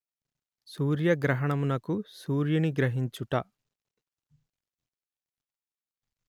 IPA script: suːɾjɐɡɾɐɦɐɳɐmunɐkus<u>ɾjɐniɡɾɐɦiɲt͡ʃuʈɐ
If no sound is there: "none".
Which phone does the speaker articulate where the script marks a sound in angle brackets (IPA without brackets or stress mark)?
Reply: uː